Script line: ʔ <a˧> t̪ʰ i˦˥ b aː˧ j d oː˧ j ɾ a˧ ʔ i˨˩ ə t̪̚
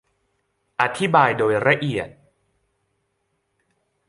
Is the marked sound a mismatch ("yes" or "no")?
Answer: no